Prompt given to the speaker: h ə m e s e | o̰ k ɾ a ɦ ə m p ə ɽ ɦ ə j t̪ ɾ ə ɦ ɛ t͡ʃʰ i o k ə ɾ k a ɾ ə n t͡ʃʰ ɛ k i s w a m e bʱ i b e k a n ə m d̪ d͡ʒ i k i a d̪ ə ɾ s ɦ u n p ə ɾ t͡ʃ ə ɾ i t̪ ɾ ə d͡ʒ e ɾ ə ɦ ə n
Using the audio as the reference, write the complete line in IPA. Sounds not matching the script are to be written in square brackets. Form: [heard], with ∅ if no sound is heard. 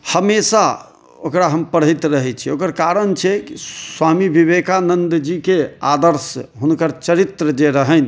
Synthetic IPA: h ə m e s [a] | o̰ k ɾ a ɦ ə m p ə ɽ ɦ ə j t̪ ɾ ə ɦ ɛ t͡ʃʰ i o k ə ɾ k a ɾ ə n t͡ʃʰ ɛ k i s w a m [i] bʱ i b e k a n ə [n] d̪ d͡ʒ i k [e] a d̪ ə ɾ s ɦ u n [k] ə ɾ t͡ʃ ə ɾ i t̪ ɾ ə d͡ʒ e ɾ ə ɦ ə n